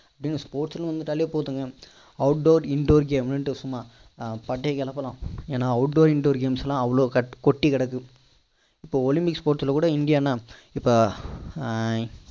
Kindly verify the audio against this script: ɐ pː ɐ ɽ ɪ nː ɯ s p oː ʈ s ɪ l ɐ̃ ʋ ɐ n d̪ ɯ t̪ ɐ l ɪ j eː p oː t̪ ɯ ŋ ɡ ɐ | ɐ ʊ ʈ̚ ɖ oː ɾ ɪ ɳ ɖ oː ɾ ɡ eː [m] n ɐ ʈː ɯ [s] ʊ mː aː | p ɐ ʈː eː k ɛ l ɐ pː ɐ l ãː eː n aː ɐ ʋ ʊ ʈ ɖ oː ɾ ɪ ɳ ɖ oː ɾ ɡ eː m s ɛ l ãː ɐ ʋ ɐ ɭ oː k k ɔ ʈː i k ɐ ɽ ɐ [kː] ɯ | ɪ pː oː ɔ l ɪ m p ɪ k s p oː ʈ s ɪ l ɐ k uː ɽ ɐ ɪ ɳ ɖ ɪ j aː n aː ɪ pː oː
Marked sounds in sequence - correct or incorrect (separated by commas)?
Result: correct, correct, correct